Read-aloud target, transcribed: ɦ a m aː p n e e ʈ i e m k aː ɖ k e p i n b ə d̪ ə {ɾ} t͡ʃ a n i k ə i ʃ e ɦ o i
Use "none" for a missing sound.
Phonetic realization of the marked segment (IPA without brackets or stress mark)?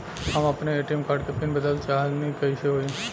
l